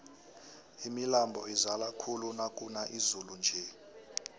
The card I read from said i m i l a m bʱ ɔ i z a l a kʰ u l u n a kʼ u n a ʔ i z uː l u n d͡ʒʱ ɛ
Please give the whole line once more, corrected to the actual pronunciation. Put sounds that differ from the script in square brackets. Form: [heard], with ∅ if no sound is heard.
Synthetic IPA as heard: i m i l a m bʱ ɔ i z a l a kʰ u l u n a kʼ u n a ʔ i z [u] l u n d͡ʒʱ ɛ